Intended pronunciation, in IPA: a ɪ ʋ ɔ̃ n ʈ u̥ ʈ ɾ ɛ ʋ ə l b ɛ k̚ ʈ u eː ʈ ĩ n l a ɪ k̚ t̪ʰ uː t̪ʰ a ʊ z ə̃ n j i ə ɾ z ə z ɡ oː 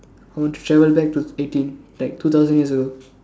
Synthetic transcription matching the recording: a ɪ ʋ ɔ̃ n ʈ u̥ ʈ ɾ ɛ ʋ ə l b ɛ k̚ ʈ u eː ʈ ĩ n l a ɪ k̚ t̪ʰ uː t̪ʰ a ʊ z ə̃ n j i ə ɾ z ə ɡ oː